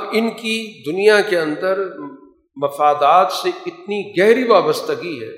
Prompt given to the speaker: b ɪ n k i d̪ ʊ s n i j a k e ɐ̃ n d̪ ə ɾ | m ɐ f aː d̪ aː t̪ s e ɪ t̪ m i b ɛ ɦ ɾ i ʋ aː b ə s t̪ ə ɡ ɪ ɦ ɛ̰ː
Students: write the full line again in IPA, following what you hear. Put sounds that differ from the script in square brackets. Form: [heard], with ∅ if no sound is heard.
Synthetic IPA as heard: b ɪ n k i d̪ ʊ [∅] n i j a k e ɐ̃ n d̪ ə ɾ | m ɐ f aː d̪ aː t̪ s e ɪ t̪ [n] i [ɡ] ɛ ɦ ɾ i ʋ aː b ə s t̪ ə ɡ [i] ɦ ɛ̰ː